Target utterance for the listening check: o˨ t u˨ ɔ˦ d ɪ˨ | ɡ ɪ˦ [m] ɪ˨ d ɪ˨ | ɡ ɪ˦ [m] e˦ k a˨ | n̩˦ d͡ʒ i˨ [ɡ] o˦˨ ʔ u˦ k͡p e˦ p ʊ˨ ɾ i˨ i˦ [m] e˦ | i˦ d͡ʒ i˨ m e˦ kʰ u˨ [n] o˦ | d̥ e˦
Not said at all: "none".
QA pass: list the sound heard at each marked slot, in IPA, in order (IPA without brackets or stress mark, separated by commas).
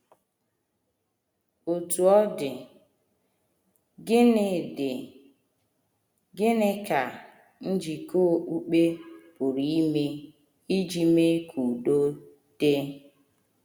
n, n, k, m, d